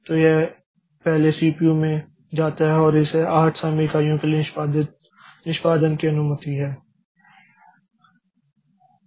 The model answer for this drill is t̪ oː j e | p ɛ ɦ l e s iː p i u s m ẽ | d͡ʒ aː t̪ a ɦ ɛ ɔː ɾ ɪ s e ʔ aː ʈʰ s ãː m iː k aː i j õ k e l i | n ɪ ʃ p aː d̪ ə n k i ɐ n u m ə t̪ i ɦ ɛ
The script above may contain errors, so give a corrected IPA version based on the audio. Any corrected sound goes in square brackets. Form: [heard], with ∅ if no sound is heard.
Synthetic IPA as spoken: t̪ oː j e | p ɛ ɦ l e s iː p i u [∅] m ẽ | d͡ʒ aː t̪ a ɦ ɛ ɔː ɾ ɪ s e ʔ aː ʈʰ s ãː m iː k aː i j õ k e l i | n ɪ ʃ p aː d̪ ə n k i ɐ n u m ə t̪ i ɦ [ɛː]